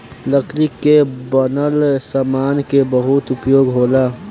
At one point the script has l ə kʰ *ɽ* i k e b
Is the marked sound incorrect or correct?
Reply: incorrect